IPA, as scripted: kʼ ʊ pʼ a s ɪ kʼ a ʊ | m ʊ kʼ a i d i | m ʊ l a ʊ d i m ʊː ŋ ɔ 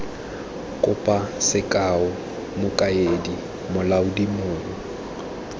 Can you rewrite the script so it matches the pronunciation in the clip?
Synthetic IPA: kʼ ʊ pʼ a s ɪ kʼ a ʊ | m ʊ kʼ a e d i | m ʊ l a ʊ d i m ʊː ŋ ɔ